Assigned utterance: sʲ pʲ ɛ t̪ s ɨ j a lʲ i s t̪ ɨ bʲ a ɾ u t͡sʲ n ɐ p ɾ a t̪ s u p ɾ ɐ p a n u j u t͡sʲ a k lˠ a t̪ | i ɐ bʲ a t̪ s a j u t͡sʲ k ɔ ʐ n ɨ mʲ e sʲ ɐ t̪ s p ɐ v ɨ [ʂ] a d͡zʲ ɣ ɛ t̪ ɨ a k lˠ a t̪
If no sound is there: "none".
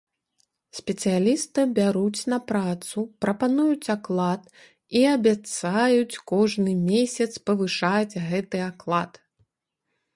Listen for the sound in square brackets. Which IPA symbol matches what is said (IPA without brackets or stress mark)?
ʂ